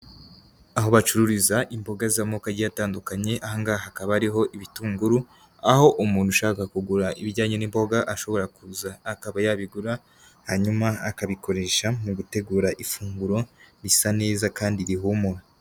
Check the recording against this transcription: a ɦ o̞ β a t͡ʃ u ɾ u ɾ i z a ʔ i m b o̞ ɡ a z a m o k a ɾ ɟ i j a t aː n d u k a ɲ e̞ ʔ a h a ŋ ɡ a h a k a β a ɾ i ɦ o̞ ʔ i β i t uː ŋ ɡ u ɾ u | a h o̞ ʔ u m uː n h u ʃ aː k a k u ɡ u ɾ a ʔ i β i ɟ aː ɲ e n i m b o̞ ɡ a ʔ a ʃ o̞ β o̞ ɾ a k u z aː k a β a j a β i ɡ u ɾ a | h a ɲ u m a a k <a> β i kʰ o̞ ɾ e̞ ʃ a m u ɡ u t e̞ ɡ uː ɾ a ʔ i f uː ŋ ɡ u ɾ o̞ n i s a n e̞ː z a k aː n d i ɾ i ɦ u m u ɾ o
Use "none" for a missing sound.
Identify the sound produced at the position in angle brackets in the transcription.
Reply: a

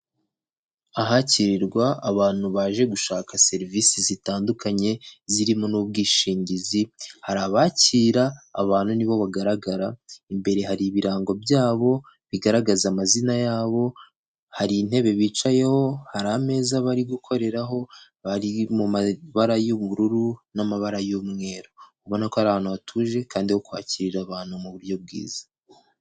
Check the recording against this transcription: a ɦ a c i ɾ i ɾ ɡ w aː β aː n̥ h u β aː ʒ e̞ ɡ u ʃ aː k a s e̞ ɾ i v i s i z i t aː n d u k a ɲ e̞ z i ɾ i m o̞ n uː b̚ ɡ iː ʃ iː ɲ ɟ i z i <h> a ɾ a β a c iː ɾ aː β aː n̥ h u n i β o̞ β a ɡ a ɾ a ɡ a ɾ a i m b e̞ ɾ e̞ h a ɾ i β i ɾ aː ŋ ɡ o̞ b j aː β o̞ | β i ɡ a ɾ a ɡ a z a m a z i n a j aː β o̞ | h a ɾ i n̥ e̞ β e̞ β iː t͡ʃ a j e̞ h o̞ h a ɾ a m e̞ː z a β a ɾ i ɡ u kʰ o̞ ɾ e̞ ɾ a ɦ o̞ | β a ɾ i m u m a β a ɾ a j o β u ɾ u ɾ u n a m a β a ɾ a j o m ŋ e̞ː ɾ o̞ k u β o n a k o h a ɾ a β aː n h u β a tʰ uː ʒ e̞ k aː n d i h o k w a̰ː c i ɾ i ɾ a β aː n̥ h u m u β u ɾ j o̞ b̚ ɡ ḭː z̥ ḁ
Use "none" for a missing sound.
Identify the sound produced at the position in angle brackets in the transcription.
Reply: h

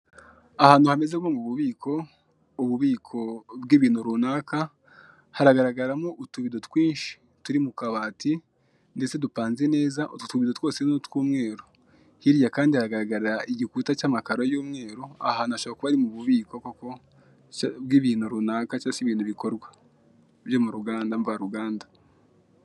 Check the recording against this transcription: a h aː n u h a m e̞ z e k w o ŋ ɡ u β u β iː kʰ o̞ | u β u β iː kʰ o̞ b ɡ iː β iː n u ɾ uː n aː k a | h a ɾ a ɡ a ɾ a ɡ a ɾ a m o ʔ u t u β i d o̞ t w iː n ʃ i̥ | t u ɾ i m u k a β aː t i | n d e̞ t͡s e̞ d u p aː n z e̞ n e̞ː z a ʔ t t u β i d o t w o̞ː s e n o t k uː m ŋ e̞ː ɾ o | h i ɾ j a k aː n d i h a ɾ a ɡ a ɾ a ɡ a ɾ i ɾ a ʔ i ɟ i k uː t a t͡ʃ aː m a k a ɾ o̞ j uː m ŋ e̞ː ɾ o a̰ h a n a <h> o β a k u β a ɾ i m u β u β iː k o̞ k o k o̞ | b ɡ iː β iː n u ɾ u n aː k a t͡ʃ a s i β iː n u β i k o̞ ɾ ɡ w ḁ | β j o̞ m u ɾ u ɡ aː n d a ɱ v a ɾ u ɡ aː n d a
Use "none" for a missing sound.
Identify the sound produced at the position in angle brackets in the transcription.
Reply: ʃ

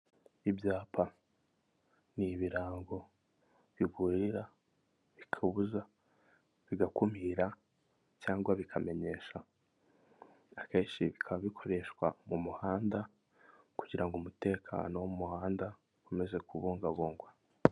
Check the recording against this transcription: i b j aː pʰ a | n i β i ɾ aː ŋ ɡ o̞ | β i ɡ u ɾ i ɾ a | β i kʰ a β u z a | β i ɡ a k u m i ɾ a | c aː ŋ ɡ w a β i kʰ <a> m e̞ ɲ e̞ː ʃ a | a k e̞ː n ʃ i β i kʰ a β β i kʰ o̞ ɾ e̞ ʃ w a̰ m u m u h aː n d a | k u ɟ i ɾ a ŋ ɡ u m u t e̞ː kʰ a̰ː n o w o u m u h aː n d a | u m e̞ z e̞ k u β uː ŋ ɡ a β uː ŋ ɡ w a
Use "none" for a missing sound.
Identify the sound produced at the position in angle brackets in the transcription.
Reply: a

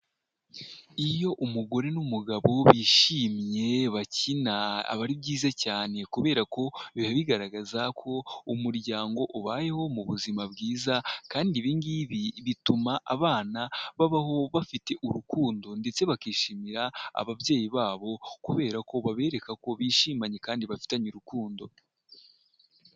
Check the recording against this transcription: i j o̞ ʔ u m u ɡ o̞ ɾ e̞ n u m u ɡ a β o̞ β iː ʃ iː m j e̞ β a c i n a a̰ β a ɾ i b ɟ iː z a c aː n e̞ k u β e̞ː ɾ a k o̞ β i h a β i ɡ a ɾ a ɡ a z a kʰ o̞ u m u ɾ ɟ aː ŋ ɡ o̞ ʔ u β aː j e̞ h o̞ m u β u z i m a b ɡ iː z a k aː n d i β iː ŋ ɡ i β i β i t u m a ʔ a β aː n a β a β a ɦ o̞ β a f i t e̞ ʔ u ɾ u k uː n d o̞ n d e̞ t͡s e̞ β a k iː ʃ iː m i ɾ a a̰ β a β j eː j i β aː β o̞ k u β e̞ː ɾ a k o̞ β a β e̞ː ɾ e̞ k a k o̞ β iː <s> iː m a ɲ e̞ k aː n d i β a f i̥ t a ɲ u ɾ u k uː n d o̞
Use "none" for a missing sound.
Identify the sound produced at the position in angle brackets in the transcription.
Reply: ʃ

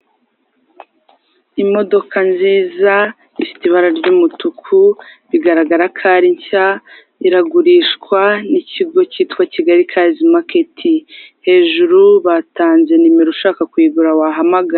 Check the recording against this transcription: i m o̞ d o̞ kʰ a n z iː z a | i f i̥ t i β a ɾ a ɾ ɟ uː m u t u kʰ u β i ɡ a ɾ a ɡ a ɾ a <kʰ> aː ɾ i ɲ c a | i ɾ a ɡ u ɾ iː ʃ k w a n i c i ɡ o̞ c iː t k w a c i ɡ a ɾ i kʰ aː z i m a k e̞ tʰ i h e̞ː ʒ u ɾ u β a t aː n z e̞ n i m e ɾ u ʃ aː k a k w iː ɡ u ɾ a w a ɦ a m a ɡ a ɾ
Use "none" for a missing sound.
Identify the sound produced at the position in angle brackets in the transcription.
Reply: kʰ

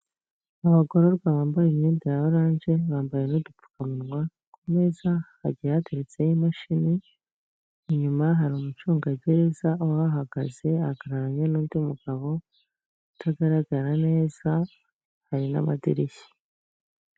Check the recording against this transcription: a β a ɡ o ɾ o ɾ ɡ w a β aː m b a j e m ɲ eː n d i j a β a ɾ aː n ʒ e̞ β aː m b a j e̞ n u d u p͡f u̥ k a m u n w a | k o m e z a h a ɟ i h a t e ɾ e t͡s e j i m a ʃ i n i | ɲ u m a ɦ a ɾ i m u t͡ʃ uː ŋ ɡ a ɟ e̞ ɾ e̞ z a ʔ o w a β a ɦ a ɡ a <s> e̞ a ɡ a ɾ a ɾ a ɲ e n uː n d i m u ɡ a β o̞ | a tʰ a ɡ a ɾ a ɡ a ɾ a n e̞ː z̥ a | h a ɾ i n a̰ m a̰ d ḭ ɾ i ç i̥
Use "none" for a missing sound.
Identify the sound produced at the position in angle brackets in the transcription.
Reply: z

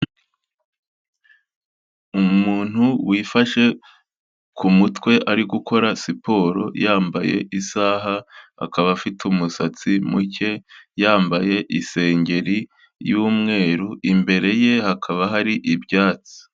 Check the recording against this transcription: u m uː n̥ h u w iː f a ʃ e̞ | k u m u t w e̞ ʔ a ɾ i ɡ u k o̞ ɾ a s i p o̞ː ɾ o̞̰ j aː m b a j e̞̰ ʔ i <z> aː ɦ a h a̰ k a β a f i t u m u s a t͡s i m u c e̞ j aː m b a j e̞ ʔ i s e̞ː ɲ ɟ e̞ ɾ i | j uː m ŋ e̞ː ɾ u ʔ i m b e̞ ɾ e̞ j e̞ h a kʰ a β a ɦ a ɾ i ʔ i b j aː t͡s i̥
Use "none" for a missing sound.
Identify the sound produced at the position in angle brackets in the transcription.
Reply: s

